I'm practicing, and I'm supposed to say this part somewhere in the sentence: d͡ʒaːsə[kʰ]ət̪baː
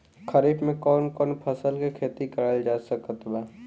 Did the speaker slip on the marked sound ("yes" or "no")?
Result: yes